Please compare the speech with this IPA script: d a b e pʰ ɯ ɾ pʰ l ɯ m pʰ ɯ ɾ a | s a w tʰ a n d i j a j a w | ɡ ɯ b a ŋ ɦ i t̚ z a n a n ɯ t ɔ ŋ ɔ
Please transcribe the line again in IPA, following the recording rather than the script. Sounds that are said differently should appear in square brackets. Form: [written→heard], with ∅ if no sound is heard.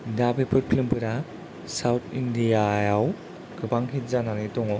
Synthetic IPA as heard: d a b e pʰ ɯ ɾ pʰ l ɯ m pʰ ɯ ɾ a | s a w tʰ [a→i] n d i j a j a w | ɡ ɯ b a ŋ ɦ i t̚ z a n a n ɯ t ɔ ŋ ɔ